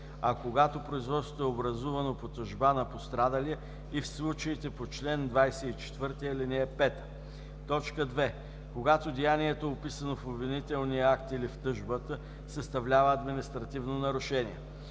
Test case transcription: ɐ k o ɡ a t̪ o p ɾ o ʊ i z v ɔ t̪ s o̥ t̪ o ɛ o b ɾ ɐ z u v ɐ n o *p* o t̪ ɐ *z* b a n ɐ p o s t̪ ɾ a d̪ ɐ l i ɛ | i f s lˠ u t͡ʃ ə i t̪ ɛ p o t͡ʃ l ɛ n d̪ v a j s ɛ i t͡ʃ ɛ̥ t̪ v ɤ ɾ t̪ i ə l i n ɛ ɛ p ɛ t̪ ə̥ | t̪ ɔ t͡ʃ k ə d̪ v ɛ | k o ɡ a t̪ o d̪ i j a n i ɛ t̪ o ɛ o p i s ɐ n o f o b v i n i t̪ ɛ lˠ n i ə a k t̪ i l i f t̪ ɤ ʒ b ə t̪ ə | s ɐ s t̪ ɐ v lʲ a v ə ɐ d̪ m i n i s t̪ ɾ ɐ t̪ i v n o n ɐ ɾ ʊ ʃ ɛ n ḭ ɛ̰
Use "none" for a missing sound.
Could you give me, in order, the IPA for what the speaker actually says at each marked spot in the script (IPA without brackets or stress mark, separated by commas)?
p, ʒ